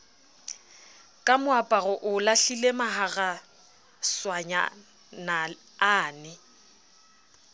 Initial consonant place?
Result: velar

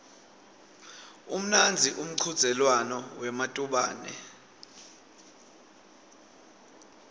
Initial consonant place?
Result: labial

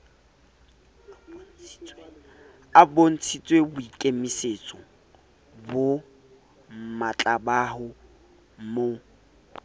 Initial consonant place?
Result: labial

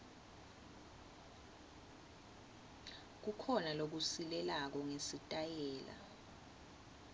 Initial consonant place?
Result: velar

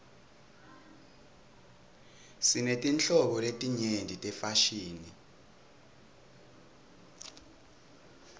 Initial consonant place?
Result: alveolar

